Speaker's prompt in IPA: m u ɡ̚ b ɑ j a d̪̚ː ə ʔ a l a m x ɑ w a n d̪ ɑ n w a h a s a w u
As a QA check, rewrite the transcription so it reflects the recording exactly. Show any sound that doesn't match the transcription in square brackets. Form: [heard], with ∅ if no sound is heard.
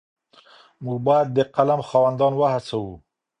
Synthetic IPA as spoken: m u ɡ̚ b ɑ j a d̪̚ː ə [q] a l a m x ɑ w a n d̪ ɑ n w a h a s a w u